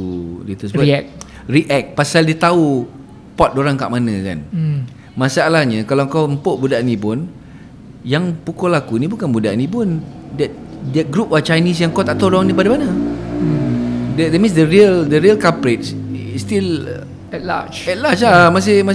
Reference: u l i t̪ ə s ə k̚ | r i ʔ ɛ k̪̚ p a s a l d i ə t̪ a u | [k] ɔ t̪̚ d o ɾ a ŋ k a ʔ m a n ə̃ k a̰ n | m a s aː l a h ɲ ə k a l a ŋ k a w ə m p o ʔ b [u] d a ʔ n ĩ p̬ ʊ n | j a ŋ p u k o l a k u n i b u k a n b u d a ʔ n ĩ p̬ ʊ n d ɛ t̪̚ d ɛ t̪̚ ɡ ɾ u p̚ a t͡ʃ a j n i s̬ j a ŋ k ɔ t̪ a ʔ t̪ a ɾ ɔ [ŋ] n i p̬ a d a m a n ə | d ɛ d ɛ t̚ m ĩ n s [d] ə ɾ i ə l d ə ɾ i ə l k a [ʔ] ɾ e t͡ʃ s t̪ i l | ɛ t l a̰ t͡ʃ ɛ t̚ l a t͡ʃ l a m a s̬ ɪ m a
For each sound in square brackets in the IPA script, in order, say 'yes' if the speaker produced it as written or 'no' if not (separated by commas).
no, yes, yes, yes, no